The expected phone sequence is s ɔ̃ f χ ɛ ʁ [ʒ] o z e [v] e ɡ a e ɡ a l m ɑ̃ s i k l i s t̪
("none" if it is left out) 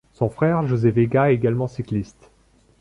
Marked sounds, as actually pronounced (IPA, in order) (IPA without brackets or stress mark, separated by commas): ʒ, v